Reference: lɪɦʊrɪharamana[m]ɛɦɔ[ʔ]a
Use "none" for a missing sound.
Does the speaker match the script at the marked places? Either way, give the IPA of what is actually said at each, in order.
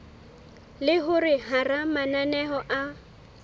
n, ʔ

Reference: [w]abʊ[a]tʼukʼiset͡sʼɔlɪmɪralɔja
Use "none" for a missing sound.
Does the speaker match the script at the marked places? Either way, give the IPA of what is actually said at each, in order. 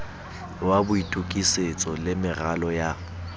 w, i

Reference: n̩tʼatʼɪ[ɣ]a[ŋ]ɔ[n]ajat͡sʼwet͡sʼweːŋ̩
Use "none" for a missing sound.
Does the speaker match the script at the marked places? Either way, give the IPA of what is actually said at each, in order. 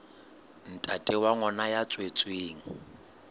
w, ŋ, n

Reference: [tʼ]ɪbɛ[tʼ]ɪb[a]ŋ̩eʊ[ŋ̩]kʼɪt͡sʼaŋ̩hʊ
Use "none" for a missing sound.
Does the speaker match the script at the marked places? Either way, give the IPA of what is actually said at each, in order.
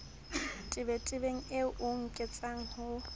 tʼ, tʼ, e, ŋ̩

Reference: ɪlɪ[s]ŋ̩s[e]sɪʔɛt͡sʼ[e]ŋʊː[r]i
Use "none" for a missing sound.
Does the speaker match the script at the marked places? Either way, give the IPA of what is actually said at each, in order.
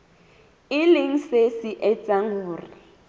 none, e, a, r

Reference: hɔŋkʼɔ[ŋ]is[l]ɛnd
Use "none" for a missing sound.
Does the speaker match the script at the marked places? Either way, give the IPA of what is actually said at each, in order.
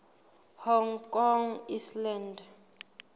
ŋ, l

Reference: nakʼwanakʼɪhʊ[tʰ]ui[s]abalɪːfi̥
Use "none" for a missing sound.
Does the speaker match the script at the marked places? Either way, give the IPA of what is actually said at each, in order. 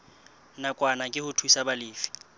tʰ, s

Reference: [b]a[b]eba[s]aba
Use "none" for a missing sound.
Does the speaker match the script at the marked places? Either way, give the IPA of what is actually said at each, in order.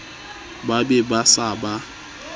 b, b, s

